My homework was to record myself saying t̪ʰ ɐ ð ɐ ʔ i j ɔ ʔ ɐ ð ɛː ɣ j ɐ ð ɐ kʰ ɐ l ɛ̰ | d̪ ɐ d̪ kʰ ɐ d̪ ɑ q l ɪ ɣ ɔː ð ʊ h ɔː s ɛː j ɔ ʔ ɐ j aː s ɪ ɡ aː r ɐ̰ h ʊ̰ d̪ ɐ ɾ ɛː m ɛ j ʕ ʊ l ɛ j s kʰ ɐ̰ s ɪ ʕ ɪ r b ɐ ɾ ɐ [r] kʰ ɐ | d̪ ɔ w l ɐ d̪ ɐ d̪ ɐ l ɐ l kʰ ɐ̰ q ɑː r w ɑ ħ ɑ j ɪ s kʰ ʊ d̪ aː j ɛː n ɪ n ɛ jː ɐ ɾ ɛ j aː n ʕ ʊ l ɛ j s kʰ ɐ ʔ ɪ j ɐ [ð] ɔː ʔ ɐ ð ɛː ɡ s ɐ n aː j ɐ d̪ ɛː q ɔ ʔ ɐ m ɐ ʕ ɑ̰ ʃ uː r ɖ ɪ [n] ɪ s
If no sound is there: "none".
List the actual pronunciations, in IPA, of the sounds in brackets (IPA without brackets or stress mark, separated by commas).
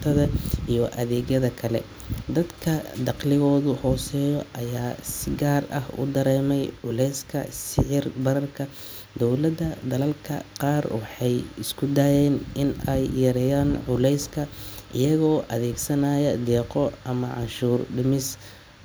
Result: r, ɣ, m